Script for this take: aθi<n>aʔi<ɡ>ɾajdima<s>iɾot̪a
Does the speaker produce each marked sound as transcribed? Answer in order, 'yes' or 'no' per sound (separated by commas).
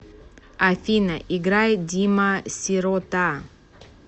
yes, yes, yes